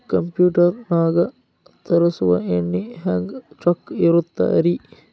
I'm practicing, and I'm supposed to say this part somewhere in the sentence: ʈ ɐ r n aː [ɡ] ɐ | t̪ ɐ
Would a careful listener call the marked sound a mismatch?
no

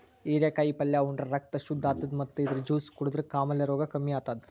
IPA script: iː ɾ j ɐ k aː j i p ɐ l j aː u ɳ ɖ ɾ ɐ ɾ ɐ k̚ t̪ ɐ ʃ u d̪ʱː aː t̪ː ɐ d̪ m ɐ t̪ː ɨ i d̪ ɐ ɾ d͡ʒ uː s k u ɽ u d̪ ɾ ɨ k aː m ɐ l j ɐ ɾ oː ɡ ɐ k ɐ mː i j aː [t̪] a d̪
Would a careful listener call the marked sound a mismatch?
no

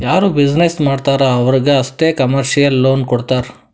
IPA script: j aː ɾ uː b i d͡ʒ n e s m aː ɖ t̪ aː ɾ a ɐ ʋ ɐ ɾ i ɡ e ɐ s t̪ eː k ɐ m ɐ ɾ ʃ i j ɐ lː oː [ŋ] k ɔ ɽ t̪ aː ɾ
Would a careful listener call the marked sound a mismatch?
yes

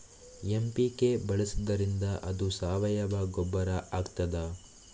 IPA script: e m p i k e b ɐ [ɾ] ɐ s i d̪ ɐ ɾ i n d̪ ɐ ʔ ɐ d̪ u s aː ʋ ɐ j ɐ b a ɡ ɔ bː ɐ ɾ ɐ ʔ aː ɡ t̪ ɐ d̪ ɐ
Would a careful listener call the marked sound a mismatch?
yes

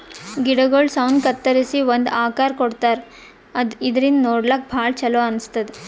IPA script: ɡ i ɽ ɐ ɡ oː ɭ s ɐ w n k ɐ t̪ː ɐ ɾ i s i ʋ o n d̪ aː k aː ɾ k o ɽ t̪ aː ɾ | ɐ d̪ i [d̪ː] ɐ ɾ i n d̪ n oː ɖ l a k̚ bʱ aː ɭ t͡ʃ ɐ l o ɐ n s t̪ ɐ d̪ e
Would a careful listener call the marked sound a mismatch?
yes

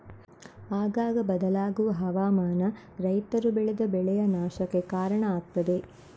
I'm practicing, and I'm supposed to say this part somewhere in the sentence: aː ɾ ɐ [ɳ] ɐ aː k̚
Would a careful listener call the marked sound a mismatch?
no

